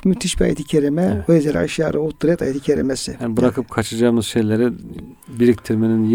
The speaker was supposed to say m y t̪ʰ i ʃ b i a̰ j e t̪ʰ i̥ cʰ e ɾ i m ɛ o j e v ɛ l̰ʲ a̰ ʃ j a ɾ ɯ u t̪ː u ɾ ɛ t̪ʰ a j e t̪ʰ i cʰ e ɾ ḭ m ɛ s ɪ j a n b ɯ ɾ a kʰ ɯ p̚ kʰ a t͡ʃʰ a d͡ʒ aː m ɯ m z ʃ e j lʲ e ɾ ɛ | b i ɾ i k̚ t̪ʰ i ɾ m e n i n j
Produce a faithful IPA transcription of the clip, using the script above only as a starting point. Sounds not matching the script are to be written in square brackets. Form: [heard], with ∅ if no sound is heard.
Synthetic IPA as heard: m y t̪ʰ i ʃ b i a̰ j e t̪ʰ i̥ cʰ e ɾ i m ɛ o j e [z] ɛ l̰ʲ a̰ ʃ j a ɾ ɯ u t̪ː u ɾ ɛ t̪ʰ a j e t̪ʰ i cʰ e ɾ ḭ m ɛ s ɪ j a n b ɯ ɾ a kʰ ɯ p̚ kʰ a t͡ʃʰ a d͡ʒ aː m ɯ [∅] z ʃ e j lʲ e ɾ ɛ | b i ɾ i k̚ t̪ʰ i ɾ m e n i n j